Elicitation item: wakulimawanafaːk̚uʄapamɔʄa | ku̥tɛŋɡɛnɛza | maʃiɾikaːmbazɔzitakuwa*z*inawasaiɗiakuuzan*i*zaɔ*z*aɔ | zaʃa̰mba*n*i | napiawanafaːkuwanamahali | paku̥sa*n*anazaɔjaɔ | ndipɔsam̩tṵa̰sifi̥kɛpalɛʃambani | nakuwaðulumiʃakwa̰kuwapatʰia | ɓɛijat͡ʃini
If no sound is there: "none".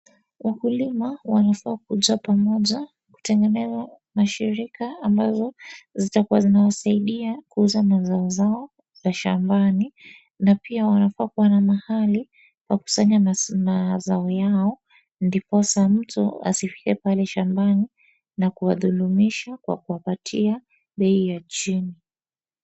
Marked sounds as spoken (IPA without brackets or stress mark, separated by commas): z, a, z, n, ɲ